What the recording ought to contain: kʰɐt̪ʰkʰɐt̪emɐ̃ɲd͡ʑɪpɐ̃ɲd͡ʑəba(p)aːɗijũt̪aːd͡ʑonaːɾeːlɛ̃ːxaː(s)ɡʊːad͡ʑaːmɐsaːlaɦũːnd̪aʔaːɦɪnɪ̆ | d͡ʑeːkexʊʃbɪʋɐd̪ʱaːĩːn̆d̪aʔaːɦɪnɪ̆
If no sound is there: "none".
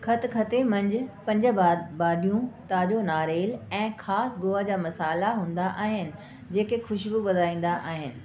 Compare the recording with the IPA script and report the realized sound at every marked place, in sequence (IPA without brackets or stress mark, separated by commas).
b, s